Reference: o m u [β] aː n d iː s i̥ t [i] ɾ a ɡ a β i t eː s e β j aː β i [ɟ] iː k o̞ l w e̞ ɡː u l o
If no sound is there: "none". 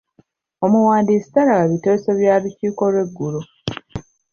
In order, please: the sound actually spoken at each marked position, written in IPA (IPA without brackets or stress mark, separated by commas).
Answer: w, a, c